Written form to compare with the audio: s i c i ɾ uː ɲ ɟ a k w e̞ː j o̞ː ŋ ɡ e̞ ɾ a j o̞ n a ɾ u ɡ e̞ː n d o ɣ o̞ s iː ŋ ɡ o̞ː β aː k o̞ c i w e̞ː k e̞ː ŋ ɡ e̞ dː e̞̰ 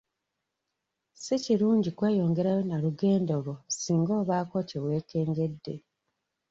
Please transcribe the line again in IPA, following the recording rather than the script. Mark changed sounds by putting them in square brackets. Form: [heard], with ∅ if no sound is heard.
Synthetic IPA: s i c i ɾ uː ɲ ɟ [i] k w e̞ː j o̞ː ŋ ɡ e̞ ɾ a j o̞ n a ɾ u ɡ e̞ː n d o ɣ o̞ s iː ŋ ɡ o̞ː β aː k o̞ c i w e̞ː k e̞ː ŋ ɡ e̞ dː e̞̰